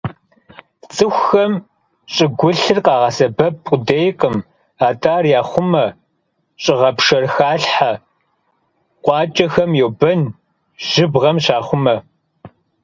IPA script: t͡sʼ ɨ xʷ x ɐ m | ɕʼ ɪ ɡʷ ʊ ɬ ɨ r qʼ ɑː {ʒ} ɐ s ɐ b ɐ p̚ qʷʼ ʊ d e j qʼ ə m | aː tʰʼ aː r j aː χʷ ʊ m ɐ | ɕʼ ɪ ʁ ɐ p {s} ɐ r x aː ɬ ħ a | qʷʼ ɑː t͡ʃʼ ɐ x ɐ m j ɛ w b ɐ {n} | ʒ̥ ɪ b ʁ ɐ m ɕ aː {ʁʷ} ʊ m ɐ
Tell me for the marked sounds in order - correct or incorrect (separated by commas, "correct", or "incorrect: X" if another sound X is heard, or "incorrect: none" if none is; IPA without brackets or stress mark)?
incorrect: ʁ, incorrect: ʂ, correct, incorrect: χʷ